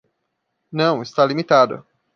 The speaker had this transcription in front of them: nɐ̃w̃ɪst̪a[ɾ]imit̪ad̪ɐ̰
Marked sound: incorrect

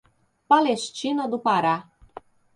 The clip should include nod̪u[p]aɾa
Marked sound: correct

